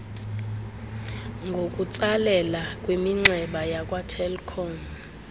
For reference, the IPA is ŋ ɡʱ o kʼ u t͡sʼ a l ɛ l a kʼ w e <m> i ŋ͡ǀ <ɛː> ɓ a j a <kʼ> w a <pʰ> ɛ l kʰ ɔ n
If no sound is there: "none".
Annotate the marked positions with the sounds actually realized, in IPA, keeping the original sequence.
m, ɛ, kʼ, tʰ

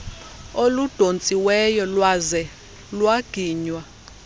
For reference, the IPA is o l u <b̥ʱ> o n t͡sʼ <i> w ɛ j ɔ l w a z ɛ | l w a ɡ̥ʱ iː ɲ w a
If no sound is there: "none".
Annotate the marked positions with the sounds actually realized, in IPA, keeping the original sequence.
d̥ʱ, i

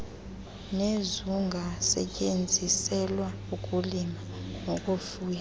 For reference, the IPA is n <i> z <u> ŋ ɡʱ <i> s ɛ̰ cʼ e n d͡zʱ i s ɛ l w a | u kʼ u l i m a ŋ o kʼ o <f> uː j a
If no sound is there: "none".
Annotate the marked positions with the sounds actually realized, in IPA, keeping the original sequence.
e, u, a, f

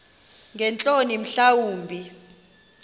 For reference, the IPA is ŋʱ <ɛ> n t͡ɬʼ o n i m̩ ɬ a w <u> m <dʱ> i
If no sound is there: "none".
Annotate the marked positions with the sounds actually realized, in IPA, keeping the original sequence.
ɛ, uː, bʱ

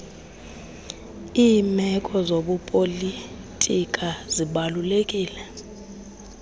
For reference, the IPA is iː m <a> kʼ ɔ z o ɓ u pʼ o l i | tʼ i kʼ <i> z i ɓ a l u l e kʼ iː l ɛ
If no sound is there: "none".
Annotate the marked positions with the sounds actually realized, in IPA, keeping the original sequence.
ɛ, a

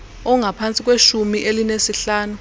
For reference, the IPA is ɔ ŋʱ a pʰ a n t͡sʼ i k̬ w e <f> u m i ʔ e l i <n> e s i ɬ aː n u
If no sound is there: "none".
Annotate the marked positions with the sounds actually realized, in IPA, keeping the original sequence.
ʃ, n

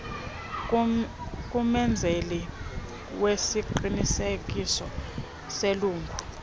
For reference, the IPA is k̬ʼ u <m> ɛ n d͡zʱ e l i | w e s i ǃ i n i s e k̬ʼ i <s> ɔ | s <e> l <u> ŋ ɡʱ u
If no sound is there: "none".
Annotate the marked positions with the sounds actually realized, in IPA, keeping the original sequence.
m, s, e, uː

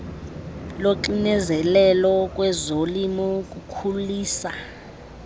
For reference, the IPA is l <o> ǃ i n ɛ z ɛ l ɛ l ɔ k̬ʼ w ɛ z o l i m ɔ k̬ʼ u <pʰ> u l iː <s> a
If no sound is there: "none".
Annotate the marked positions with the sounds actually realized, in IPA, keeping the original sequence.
o, kʰ, s

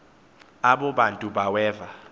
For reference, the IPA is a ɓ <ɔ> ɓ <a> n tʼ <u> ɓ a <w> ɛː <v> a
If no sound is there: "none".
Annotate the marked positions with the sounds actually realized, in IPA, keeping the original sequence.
ɔ, a, u, w, v

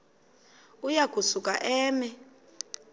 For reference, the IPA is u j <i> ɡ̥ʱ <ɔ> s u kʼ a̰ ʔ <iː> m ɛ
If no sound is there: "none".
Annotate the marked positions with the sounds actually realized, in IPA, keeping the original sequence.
a, u, ɛː

